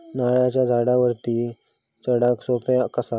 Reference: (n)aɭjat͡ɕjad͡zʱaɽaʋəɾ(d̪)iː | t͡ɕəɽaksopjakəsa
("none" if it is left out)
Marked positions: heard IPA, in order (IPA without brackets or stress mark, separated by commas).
n, t̪